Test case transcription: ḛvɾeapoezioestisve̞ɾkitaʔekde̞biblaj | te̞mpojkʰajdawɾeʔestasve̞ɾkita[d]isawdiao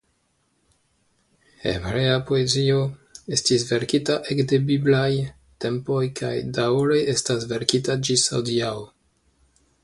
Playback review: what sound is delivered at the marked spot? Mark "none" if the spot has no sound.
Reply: d͡ʒ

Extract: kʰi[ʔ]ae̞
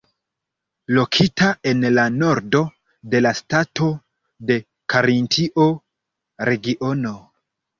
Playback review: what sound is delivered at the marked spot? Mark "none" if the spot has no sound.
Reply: t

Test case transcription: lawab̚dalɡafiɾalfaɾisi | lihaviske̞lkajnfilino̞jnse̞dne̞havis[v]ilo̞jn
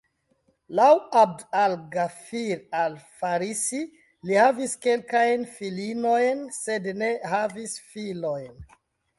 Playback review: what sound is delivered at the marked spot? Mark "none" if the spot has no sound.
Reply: f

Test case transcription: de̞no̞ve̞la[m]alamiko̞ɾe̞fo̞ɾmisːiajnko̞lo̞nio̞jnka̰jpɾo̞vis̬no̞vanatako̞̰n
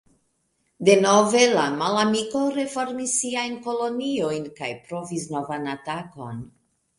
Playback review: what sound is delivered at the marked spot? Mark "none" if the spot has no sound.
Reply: m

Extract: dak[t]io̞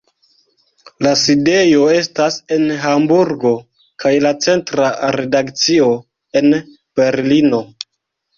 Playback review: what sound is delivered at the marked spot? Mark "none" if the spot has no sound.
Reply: t͡s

